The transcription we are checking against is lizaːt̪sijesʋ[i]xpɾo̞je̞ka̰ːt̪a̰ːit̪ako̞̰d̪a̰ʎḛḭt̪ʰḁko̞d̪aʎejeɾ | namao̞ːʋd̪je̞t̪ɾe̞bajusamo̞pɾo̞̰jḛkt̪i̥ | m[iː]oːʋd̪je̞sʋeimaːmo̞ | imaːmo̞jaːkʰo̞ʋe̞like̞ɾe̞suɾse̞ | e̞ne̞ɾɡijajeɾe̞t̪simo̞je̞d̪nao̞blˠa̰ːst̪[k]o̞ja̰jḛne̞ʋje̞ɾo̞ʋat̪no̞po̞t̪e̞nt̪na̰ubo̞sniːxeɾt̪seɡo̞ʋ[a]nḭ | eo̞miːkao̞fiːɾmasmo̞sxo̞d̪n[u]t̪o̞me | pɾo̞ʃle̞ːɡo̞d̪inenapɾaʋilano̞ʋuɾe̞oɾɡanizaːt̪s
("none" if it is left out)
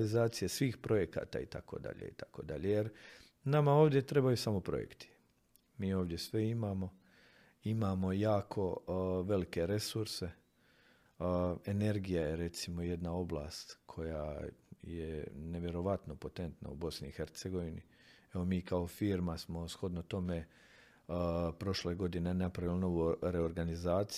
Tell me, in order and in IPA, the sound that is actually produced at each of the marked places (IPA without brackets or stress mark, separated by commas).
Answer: iː, iː, kʰ, i, o